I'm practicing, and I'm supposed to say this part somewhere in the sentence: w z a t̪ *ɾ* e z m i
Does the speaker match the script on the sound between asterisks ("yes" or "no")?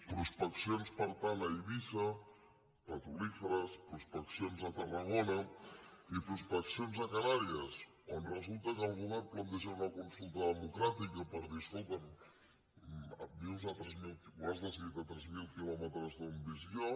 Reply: yes